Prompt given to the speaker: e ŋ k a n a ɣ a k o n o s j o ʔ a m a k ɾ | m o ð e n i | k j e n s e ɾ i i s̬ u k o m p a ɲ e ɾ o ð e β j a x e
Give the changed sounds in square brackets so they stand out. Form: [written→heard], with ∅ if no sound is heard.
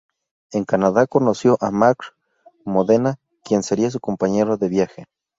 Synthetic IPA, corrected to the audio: e ŋ k a n a [ɣ→ð] a k o n o s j o ʔ a m a k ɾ | m o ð e n [i→a] | k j e n s e ɾ i [i→a] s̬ u k o m p a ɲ e ɾ o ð e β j a x e